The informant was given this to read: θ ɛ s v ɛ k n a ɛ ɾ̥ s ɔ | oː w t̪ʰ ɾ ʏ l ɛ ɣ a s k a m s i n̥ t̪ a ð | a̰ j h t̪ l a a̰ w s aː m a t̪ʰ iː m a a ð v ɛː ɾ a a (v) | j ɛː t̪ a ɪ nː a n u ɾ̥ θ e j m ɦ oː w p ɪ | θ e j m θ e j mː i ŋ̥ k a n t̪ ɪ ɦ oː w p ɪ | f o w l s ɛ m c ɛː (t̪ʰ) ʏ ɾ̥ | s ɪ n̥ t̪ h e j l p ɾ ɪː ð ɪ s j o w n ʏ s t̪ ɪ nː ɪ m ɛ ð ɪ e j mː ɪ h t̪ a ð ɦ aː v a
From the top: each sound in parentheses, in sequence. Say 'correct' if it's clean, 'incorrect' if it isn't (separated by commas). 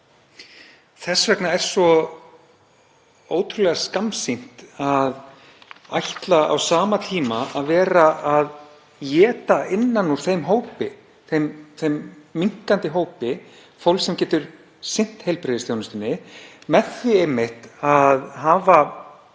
incorrect, incorrect